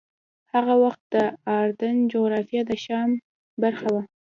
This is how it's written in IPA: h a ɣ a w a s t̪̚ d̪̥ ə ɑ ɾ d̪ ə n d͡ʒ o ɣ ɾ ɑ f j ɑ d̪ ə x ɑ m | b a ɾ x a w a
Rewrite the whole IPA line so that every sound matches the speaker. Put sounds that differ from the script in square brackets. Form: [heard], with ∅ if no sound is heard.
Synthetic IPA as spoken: h a ɣ a w a [x] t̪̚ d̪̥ ə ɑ ɾ d̪ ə n d͡ʒ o ɣ ɾ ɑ f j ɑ d̪ ə [ʃ] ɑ m | b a ɾ x a w a